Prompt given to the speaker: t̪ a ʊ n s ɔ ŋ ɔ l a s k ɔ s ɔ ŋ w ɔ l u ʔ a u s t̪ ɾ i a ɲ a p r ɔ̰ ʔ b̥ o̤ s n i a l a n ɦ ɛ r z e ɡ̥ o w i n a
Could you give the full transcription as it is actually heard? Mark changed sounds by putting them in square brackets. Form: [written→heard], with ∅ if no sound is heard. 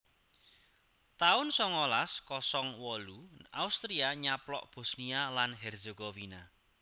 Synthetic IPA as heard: t̪ a ʊ n s ɔ ŋ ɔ l a s k ɔ s ɔ ŋ w ɔ l u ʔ a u s t̪ ɾ i a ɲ a p [r→l] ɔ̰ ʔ b̥ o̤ s n i a l a n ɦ ɛ r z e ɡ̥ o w i n a